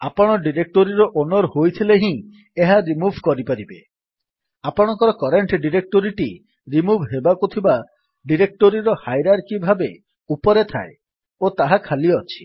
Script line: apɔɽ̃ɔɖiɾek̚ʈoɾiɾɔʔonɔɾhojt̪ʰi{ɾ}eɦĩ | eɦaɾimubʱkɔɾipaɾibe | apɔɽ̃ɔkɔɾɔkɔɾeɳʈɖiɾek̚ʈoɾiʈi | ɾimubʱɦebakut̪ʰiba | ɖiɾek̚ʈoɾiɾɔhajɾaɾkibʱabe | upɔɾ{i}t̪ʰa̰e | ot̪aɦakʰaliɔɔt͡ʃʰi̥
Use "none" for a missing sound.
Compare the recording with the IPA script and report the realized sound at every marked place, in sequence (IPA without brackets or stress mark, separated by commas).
l, e